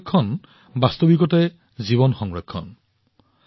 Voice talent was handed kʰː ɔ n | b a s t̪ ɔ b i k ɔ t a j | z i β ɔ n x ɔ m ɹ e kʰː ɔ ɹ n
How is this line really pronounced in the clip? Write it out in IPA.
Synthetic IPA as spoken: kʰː ɔ n | b a s t̪ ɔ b i k ɔ t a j | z i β ɔ n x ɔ ŋ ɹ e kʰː ɔ n